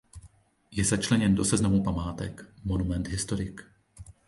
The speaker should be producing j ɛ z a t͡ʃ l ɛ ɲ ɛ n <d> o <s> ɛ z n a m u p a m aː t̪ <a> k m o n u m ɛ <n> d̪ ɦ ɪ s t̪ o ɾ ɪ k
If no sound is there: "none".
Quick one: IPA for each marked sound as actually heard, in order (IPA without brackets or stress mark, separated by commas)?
d, s, ɛ, n